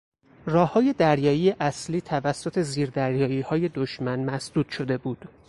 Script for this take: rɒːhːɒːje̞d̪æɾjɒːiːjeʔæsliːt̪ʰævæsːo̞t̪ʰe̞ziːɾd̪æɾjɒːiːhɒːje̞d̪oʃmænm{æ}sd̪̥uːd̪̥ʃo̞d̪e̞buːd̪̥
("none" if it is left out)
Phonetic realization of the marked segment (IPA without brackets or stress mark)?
æ